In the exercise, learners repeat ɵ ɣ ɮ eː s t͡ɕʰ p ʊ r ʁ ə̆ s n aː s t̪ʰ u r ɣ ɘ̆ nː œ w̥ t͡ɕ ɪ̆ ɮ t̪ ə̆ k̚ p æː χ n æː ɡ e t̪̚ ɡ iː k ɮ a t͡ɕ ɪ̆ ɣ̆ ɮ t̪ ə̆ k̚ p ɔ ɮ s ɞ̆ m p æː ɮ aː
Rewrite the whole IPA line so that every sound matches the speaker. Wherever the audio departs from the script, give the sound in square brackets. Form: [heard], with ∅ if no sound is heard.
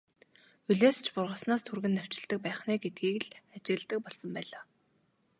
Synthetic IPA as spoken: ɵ [∅] ɮ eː s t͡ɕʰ p ʊ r ʁ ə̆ s n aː s t̪ʰ u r ɣ ɘ̆ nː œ w̥ t͡ɕ ɪ̆ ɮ t̪ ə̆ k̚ p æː χ n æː ɡ e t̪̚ ɡ iː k ɮ a t͡ɕ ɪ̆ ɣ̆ ɮ t̪ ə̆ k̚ p ɔ ɮ s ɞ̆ m p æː ɮ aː